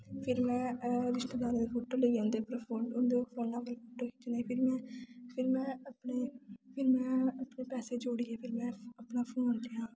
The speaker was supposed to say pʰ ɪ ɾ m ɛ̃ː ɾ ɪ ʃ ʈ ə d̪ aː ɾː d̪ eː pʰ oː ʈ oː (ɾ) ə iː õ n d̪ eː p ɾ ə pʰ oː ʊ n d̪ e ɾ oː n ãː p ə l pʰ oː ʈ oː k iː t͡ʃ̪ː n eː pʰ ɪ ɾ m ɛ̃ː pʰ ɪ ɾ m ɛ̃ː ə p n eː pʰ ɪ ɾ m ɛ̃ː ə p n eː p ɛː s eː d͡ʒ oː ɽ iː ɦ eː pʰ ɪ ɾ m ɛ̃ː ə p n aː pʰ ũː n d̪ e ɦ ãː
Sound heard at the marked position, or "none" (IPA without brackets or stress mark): l